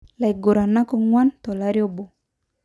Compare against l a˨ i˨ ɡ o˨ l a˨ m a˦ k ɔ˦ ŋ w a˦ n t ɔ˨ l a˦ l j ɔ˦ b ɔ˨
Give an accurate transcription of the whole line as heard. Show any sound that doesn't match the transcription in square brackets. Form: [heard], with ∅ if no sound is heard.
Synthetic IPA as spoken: l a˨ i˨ ɡ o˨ [ɾ] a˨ [n] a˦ k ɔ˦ ŋ w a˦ n t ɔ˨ l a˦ [ɾ] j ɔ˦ b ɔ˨